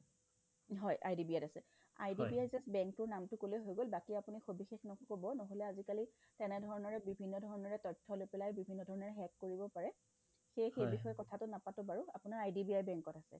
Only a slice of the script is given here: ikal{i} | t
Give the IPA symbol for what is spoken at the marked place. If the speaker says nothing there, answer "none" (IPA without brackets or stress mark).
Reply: i